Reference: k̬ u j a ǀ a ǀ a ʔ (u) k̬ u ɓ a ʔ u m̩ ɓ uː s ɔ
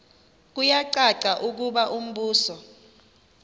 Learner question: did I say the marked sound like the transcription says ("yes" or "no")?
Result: yes